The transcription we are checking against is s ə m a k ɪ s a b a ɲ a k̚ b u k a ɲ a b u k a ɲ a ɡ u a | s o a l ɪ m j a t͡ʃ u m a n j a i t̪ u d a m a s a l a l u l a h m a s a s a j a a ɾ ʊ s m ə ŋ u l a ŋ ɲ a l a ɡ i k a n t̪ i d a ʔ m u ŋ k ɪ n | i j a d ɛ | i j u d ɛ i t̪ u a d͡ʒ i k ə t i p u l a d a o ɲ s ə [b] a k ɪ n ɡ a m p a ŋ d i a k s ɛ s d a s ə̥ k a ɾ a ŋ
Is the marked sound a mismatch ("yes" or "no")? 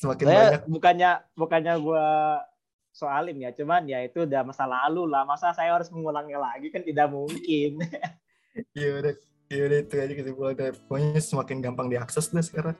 yes